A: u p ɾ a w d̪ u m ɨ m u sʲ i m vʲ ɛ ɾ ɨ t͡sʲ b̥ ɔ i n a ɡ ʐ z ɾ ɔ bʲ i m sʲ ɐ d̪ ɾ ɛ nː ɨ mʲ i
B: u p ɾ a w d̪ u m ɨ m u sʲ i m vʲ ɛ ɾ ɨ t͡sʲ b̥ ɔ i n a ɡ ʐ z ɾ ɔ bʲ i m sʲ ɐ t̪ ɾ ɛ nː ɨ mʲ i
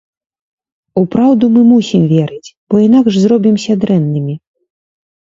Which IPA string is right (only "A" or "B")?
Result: A